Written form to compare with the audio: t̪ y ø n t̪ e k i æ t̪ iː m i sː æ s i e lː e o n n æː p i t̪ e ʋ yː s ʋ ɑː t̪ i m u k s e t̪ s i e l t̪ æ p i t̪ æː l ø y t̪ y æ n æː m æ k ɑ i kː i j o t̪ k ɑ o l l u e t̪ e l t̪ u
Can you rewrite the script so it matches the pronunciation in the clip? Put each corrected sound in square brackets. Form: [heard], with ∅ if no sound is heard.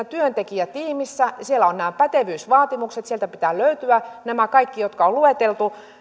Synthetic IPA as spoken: t̪ y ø n t̪ e k i æ t̪ iː m i sː æ s i e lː [æ] o n n æː p [æ] t̪ e ʋ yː s ʋ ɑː t̪ i m u k s e t̪ s i e l t̪ æ p i t̪ æː l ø y t̪ y æ n [æ] m æ k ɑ i kː i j o t̪ k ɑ o l l u e t̪ e l t̪ u